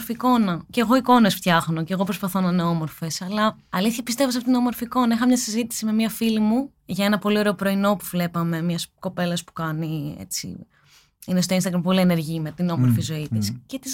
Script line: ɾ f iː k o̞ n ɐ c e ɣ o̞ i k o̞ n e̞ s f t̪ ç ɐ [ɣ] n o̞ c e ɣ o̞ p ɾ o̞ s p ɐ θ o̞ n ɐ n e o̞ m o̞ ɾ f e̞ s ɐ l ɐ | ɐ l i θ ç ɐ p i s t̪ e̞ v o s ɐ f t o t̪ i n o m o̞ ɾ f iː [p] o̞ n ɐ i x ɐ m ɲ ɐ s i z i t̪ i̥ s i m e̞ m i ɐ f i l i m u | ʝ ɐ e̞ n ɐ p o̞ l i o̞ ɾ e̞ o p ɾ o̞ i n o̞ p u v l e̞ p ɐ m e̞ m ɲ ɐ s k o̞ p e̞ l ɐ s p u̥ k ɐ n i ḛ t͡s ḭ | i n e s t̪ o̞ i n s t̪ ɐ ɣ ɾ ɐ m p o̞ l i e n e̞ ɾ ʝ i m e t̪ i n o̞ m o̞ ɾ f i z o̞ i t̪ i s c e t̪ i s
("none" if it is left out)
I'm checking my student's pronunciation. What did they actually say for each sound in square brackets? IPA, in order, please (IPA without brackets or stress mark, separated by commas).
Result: x, k